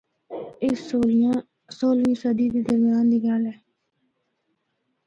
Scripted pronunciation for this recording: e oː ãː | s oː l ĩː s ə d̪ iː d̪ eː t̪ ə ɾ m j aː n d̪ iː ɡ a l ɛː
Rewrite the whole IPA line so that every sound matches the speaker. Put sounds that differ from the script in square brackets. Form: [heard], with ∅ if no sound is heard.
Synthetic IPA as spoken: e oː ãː | s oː l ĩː s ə d̪ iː d̪ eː [d̪] ə ɾ m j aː n d̪ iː ɡ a l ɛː